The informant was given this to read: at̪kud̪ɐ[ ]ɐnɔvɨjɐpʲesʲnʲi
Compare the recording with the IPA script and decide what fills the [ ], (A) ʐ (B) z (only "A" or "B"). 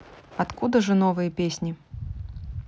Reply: A